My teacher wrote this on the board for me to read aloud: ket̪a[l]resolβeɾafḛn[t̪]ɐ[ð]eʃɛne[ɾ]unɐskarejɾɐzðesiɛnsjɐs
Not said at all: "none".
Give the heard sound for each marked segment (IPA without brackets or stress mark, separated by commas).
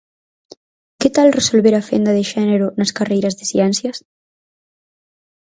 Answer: l, d̪, ð, ɾ